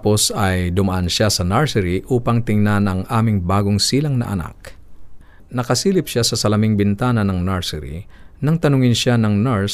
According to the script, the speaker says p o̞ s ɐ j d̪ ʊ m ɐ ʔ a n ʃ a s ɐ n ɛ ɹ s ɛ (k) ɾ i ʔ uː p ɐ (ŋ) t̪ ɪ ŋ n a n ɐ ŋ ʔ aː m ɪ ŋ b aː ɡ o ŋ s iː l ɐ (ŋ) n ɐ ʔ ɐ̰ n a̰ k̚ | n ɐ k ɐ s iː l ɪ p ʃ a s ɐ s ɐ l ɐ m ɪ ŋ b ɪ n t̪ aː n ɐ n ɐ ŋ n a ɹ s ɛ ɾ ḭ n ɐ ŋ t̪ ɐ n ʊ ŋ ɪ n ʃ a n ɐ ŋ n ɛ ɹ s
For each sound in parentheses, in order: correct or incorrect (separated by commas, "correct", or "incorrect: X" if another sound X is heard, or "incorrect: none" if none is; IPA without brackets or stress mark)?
incorrect: none, correct, correct